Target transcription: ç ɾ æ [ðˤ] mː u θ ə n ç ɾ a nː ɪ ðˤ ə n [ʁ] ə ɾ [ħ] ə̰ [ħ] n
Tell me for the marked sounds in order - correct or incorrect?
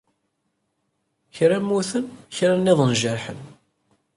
incorrect: none, incorrect: ʒ, correct, incorrect: none

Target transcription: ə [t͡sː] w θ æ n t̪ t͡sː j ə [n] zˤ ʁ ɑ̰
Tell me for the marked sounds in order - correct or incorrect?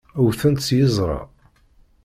incorrect: none, incorrect: none

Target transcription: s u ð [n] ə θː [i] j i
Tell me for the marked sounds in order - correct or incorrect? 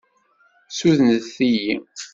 correct, correct

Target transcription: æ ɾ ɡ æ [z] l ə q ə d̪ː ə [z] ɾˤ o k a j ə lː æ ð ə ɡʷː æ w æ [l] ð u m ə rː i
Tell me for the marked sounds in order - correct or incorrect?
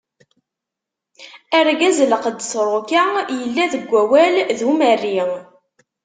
correct, incorrect: s, correct

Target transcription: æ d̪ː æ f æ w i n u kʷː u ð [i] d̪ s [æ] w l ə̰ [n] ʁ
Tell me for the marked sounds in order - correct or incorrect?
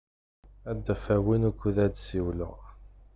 incorrect: æ, incorrect: i, incorrect: none

